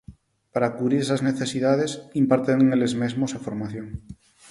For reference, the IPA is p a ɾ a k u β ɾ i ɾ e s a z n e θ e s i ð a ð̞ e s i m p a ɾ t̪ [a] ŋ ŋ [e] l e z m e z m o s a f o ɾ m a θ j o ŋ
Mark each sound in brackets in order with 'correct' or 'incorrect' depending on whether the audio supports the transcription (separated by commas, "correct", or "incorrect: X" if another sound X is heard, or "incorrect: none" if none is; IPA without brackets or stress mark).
incorrect: e, correct